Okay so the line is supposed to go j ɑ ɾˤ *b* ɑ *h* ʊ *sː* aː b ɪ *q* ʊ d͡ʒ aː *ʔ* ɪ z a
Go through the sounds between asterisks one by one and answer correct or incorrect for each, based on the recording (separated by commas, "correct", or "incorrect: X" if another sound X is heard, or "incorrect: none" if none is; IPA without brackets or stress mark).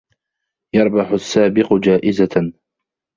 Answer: correct, incorrect: ħ, correct, correct, correct